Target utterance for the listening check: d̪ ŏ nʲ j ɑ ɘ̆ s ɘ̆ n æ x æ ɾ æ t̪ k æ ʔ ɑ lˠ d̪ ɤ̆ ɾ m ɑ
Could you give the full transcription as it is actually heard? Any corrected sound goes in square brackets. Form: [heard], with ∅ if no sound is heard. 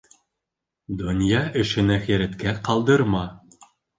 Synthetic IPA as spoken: d̪ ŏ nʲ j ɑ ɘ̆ [ʃ] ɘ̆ n æ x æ ɾ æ t̪ k æ [q] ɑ lˠ d̪ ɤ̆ ɾ m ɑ